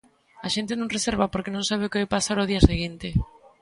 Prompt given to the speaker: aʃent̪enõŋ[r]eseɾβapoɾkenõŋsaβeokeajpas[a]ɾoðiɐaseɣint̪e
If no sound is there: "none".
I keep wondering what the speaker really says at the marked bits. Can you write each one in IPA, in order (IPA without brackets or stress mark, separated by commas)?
r, a